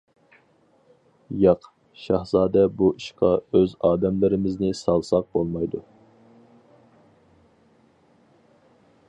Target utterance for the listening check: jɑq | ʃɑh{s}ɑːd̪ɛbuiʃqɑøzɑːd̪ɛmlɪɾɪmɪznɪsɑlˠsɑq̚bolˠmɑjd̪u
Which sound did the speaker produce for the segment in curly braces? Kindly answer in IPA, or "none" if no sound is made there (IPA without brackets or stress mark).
z